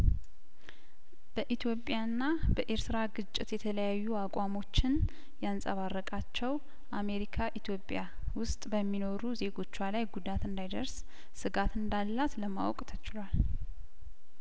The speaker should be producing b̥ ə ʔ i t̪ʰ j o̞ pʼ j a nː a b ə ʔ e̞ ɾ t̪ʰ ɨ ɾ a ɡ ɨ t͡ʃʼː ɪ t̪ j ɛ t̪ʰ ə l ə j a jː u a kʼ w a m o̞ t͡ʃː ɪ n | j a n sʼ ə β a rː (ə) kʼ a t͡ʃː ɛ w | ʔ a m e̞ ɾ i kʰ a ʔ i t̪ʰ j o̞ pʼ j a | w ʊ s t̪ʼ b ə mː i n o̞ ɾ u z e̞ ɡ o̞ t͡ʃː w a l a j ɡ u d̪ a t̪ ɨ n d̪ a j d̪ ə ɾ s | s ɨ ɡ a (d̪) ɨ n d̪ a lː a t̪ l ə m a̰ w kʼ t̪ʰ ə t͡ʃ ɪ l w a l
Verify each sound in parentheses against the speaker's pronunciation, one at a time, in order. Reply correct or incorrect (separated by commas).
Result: correct, incorrect